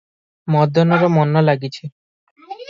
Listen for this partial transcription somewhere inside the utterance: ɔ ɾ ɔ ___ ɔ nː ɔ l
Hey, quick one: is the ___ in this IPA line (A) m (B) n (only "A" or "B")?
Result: A